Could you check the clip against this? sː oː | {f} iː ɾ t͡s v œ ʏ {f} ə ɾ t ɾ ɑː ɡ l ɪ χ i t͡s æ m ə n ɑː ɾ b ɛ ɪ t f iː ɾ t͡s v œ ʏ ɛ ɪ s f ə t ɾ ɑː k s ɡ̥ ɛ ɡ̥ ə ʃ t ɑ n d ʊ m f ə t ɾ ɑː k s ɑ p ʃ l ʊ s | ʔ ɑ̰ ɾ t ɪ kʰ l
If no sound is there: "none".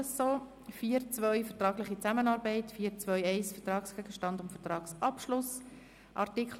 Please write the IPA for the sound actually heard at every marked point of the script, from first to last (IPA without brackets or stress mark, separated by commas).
f, f